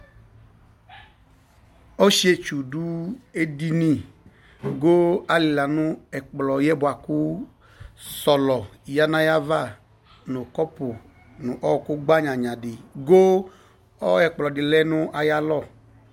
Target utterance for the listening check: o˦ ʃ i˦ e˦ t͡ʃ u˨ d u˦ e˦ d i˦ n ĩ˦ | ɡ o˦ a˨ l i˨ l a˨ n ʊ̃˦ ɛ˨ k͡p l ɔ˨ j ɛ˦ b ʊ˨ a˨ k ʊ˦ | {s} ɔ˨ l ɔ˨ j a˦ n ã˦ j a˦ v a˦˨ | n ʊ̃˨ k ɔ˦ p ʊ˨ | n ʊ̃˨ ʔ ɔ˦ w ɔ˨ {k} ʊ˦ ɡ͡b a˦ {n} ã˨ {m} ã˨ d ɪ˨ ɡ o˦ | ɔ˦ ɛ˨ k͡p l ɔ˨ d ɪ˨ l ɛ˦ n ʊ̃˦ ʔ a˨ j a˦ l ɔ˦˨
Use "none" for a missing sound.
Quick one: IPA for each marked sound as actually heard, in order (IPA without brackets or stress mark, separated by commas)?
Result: s, k, ɲ, ɲ